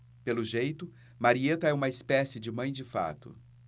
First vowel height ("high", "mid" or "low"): mid